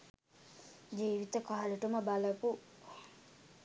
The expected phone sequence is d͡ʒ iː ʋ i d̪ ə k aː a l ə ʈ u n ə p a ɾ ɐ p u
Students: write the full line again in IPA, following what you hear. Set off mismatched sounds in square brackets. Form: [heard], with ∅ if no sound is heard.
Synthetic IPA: d͡ʒ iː ʋ i [t̪] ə k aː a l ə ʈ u [m] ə [b] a [l] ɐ p u